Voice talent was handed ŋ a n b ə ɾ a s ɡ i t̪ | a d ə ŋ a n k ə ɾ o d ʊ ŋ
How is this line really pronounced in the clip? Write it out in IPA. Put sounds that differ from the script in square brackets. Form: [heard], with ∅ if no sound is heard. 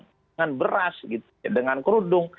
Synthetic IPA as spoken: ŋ a n b ə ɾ a s ɡ i t̪ | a d ə ŋ a n k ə ɾ [u] d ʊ ŋ